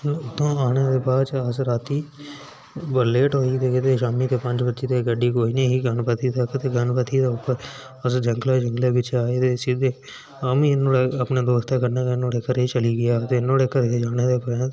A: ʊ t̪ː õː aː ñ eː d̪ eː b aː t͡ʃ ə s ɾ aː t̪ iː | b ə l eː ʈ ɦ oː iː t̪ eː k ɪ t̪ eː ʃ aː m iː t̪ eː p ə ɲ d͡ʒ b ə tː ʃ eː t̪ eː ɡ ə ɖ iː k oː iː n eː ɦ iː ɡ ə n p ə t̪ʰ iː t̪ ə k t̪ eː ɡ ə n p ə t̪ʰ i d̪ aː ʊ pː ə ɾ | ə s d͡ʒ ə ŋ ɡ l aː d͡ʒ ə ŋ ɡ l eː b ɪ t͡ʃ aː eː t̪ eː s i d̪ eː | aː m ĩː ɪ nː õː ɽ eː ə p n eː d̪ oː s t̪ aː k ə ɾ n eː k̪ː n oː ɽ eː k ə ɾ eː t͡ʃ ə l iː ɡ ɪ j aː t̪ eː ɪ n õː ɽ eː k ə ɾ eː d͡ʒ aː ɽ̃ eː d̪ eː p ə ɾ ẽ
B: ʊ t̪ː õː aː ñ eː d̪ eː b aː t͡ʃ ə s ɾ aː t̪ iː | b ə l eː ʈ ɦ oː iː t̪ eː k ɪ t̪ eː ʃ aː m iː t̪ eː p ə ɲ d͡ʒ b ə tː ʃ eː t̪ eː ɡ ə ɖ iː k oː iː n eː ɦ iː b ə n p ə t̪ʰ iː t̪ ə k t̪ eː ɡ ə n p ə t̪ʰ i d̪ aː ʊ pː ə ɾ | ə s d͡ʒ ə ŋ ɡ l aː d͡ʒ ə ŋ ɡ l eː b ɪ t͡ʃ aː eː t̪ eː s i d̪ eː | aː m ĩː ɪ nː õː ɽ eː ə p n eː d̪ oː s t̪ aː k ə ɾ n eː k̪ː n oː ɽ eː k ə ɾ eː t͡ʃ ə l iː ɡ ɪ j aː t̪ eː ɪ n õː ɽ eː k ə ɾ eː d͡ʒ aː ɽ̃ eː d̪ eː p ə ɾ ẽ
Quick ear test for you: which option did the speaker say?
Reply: A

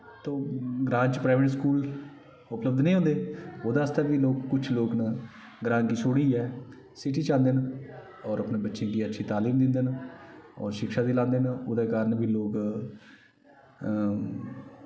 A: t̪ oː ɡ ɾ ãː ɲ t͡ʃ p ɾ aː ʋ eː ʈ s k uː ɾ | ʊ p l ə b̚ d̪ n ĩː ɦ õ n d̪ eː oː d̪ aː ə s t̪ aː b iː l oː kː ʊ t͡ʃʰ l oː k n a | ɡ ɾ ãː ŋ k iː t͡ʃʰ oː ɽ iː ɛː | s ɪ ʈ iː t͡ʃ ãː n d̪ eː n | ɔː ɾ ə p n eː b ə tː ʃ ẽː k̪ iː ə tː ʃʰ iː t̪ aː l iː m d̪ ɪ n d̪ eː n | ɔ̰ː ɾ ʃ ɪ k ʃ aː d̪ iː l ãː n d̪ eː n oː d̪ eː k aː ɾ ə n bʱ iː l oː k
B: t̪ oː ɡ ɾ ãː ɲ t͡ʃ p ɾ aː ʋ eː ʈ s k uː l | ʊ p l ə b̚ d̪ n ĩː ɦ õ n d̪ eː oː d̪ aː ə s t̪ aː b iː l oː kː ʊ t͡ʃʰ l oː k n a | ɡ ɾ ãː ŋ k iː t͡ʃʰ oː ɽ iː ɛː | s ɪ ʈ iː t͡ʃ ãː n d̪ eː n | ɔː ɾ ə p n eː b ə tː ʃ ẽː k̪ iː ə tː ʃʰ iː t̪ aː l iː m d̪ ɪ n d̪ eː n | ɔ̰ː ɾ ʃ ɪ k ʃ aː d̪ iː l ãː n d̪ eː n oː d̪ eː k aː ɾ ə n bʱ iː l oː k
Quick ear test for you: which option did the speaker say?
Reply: B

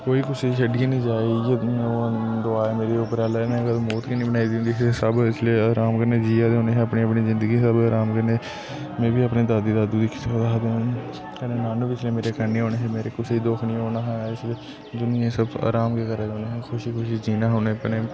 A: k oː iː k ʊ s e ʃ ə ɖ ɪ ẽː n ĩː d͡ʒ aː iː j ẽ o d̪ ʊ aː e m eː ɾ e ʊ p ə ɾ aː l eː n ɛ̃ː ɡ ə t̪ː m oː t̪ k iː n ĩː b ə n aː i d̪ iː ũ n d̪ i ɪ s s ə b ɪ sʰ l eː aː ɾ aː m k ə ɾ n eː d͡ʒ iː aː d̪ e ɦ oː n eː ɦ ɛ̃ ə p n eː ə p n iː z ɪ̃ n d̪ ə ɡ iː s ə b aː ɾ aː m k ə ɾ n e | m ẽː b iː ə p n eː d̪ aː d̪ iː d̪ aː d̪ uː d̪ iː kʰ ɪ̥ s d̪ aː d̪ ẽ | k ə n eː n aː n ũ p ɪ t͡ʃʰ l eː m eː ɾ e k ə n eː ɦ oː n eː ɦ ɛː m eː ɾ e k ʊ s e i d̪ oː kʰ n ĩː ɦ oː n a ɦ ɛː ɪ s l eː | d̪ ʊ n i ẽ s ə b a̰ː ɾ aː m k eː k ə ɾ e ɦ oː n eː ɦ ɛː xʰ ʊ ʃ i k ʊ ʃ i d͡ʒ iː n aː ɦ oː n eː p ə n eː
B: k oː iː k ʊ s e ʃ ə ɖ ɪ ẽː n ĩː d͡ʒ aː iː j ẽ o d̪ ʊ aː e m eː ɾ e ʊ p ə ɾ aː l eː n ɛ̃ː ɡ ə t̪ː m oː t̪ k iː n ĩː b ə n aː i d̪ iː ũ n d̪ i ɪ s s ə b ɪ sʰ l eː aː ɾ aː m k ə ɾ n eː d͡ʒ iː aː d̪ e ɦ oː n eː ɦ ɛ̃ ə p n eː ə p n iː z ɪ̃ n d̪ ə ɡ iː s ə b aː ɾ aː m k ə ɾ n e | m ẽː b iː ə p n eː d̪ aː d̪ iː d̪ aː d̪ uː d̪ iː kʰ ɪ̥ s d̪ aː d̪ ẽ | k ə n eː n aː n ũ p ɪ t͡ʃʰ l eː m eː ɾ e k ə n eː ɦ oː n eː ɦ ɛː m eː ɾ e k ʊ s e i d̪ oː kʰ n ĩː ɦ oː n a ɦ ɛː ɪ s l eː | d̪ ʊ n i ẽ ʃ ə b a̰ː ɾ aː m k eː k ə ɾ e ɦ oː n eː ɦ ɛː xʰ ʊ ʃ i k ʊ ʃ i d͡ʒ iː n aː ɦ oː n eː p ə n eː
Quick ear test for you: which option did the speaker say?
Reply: A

